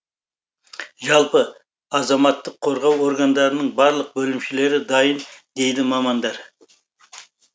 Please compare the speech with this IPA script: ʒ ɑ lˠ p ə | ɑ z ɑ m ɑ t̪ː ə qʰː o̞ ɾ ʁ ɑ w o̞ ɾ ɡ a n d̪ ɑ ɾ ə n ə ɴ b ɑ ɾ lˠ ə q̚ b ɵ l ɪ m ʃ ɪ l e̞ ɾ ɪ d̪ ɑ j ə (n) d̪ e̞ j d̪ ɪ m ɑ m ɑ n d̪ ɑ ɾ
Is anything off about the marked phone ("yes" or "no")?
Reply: no